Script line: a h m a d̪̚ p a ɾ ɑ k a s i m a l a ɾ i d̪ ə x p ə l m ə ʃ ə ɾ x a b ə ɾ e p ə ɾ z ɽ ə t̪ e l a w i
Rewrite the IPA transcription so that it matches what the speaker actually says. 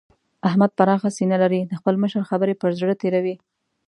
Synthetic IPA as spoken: a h m a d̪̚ p a ɾ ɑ x a s i n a l a ɾ i d̪ ə x p ə l m ə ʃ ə ɾ x a b ə ɾ e p ə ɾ z ɽ ə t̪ e ɾ a w i